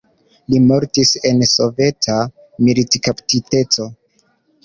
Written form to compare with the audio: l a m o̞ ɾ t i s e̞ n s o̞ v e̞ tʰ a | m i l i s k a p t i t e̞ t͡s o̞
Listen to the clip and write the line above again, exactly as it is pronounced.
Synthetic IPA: l i m o̞ ɾ t i s e̞ n s o̞ v e̞ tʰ a | m i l i t k a p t i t e̞ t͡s o̞